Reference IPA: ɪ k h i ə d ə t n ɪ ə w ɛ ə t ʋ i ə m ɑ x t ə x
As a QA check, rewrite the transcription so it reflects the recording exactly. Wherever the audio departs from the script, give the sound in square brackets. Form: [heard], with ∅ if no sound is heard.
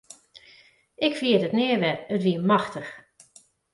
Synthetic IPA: ɪ k [f] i ə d ə t n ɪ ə [ʋ] ɛ ə t ʋ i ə m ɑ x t ə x